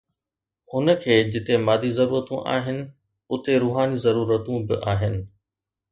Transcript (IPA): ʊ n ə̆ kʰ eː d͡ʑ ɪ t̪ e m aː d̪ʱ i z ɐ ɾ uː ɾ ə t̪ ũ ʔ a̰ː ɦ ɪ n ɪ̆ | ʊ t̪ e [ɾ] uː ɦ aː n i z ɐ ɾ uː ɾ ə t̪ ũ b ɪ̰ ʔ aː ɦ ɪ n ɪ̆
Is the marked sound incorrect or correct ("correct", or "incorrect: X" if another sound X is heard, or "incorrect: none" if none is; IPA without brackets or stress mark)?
correct